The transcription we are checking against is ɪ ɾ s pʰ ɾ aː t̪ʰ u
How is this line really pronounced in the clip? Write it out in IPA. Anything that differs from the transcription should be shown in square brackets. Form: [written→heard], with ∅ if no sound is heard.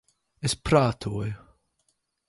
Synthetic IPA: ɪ [ɾ→∅] s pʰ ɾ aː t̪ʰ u

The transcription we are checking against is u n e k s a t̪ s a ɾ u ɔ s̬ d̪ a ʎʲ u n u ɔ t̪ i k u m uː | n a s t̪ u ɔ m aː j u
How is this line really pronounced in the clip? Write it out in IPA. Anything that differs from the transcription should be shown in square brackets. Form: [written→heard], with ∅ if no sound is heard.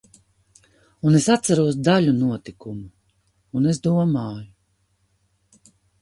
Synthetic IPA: u n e [k→∅] s a t̪ s a ɾ u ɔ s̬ d̪ a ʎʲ u n u ɔ t̪ i k u m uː | n [a→e] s [t̪→d̪] u ɔ m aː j u

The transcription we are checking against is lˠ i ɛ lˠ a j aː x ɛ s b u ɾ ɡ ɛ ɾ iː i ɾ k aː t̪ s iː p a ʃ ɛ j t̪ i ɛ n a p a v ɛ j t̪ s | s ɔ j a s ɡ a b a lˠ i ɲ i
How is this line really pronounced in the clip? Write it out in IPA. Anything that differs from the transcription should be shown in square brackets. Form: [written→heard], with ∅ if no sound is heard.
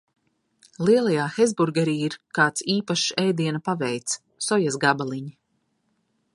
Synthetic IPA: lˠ i ɛ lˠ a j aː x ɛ [s→z] b u ɾ ɡ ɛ ɾ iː i ɾ k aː t̪ s iː p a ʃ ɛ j [t̪→d̪] i ɛ n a p a v ɛ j t̪ s | s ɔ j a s ɡ a b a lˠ i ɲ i

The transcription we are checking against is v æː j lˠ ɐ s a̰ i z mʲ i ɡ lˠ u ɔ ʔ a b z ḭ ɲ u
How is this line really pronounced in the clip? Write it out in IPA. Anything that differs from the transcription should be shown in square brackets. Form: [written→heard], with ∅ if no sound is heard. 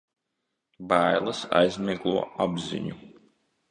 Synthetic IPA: [v→b] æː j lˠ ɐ s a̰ [i→j] z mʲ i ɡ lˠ u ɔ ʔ a b z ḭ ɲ u

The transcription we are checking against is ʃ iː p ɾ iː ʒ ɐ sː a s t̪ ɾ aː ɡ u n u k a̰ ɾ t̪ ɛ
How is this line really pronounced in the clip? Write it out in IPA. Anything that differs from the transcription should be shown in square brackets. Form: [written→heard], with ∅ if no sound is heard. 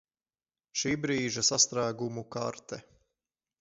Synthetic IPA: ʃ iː [p→b] ɾ iː ʒ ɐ [sː→s] a s t̪ ɾ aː ɡ u [n→m] u k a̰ ɾ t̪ ɛ

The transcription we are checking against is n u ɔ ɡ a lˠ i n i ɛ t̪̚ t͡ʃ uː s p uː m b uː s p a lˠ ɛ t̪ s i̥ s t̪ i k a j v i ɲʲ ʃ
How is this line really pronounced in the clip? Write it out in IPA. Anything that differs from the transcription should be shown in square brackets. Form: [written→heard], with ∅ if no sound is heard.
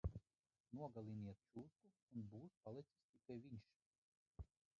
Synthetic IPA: n u ɔ ɡ a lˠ i n i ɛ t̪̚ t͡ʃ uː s [p→k] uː [m→n] b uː s p a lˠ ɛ t̪ s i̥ s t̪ i k a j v i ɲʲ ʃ

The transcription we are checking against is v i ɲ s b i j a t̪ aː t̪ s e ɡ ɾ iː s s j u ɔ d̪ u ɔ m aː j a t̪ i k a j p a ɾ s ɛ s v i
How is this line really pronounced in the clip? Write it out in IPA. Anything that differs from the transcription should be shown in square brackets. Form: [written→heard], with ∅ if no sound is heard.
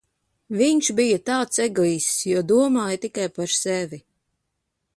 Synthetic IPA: v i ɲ [s→ʃ] b i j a t̪ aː t̪ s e ɡ [ɾ→l] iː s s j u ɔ d̪ u ɔ m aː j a t̪ i k a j p a ɾ s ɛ [s→∅] v i

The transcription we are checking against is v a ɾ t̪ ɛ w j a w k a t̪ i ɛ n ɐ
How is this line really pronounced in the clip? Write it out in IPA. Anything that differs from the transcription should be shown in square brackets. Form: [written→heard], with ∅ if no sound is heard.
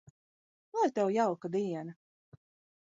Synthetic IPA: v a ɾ t̪ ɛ w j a w k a [t̪→d̪] i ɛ n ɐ

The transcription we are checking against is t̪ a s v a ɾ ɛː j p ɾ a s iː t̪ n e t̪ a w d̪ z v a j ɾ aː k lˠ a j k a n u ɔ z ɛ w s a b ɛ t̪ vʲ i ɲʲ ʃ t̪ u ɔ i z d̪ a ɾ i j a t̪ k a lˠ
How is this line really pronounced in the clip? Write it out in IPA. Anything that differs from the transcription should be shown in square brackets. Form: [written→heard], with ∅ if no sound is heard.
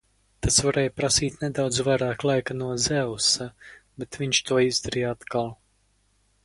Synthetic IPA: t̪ a s v a ɾ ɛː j p ɾ a s iː t̪ n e [t̪→d̪] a w d̪ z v a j ɾ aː k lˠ a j k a n u ɔ z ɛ w s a b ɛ t̪ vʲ i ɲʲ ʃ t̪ u ɔ i z d̪ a ɾ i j a t̪ k a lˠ

